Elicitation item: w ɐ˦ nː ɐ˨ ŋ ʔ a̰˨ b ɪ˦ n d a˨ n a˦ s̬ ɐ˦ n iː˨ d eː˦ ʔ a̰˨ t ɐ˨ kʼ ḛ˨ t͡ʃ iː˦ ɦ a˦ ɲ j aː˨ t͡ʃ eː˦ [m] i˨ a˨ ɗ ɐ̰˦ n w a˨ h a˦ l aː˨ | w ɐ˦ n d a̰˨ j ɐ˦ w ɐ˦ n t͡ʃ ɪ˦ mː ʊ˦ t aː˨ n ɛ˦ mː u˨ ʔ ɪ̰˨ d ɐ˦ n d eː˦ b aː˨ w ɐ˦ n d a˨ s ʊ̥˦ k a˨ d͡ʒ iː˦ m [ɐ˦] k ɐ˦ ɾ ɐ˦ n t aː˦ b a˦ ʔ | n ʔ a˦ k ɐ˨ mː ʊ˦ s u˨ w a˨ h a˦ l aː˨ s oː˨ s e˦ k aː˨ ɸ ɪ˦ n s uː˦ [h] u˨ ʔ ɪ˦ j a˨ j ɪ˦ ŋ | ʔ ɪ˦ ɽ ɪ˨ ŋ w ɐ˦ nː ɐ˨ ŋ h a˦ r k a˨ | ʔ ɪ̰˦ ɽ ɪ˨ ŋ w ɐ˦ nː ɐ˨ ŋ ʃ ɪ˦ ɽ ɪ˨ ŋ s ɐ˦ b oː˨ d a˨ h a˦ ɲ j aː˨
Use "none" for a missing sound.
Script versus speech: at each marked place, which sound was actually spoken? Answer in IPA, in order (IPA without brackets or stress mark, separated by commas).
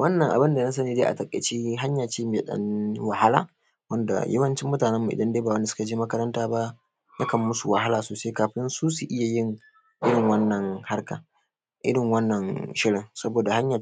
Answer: m, ɐ˦, s